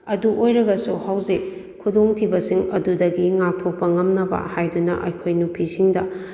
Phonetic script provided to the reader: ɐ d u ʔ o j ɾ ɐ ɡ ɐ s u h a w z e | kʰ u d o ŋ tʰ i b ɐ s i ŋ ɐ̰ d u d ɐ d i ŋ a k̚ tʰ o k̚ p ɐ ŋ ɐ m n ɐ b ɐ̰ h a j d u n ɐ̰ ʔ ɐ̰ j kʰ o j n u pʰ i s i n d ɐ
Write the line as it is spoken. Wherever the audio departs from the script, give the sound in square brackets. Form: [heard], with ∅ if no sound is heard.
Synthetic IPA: ɐ d u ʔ o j ɾ ɐ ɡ ɐ s u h a w z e | kʰ u d o ŋ tʰ i b ɐ s i ŋ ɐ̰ d u d ɐ [ɡ] i ŋ a k̚ tʰ o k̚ p ɐ ŋ ɐ m n ɐ b ɐ̰ h a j d u n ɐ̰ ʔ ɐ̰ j kʰ o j n u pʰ i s i [ŋ] d ɐ